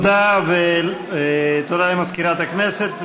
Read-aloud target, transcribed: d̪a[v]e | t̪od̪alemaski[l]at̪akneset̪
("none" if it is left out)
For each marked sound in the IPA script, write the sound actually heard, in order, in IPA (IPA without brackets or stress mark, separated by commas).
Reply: v, ɾ